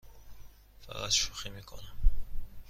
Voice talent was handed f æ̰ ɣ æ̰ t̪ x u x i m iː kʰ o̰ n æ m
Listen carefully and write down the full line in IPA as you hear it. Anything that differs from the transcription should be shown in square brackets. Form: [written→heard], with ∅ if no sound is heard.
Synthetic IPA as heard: f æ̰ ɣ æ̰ t̪ [x→ʃ] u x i m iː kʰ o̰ n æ m